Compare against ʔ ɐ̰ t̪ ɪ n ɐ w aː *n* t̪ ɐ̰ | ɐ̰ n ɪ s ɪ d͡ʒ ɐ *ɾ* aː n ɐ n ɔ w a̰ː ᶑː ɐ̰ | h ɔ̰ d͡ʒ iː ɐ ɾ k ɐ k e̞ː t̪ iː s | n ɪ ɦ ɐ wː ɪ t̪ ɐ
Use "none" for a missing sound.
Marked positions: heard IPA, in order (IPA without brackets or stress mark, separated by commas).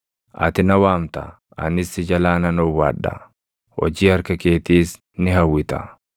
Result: m, l